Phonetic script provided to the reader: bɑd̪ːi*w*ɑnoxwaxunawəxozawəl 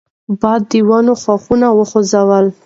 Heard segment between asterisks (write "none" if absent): w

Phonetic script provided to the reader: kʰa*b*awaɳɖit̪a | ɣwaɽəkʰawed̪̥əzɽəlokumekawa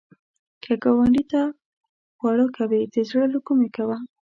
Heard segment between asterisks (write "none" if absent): ɡ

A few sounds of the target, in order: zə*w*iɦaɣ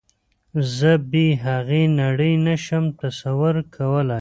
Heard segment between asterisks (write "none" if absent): b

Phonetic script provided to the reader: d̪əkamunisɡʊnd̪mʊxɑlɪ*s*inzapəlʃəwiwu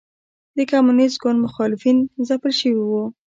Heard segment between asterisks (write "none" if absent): f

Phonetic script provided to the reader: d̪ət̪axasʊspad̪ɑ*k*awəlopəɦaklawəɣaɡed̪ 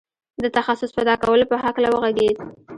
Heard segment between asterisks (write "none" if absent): k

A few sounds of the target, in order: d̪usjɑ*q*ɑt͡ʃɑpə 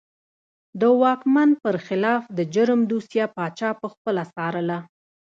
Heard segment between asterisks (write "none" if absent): p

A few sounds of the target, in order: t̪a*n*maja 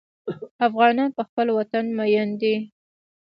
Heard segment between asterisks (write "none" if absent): n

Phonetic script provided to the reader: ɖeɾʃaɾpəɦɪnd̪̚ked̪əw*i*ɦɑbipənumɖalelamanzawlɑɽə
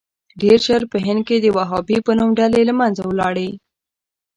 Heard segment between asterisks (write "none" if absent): a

